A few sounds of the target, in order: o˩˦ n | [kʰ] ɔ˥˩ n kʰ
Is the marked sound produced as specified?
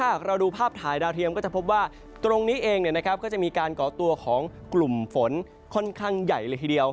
yes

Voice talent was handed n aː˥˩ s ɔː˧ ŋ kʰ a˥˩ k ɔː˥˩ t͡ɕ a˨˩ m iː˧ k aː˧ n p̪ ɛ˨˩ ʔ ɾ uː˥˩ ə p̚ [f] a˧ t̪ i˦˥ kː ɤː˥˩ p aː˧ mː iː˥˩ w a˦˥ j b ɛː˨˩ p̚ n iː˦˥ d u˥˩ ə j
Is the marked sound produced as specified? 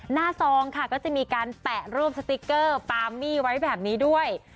no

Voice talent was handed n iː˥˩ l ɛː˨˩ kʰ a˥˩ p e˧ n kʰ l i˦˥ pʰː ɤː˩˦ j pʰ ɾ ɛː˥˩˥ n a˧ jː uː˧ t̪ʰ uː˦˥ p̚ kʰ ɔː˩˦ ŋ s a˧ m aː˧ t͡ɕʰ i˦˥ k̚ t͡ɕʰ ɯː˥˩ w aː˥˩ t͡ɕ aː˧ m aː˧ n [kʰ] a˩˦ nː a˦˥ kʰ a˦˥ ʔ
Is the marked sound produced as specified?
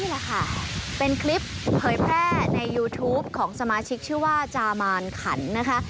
yes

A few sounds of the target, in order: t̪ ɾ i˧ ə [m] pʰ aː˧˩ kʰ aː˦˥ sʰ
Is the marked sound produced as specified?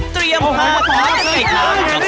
yes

